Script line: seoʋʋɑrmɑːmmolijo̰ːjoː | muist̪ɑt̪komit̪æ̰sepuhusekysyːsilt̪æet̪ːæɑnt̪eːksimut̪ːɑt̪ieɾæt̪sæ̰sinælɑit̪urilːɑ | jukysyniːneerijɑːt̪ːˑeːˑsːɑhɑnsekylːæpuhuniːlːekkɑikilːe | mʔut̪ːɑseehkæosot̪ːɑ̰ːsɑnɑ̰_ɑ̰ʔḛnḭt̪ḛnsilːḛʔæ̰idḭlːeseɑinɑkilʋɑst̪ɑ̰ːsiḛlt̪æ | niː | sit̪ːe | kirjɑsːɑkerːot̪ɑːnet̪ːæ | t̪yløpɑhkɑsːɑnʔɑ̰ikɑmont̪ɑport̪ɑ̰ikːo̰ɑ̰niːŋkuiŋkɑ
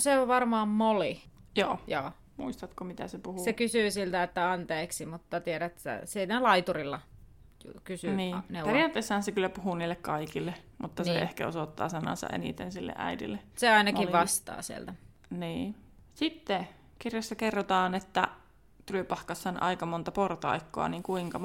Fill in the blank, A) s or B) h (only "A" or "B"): A